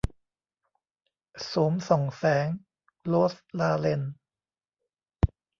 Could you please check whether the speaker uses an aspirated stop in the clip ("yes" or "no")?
no